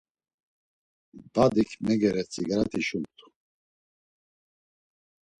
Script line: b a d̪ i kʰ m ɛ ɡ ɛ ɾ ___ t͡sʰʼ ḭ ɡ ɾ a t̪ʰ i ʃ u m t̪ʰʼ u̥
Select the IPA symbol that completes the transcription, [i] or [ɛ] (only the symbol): ɛ